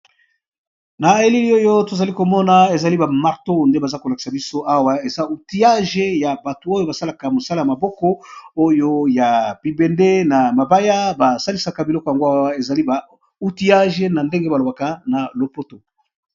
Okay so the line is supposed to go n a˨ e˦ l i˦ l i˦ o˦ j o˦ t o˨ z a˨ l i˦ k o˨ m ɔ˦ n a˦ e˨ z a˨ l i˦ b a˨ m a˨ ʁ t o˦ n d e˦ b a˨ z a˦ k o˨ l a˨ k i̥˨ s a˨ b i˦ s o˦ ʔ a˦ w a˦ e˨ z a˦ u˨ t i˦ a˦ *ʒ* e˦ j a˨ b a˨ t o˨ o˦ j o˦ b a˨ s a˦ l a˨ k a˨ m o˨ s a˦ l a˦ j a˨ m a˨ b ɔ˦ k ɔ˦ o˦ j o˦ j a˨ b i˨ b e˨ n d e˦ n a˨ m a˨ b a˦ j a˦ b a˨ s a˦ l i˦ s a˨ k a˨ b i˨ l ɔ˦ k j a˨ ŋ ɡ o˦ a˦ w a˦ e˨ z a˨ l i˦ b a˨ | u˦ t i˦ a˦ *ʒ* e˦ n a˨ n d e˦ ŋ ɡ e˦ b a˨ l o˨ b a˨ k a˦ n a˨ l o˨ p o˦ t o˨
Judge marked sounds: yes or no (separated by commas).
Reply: yes, yes